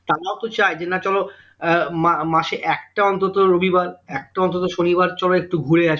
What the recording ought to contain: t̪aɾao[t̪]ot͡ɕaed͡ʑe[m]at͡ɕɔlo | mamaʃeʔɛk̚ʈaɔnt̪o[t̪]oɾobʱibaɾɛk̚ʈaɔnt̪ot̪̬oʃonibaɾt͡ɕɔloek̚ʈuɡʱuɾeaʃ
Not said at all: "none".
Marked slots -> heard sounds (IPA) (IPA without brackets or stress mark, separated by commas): t̪, n, t̪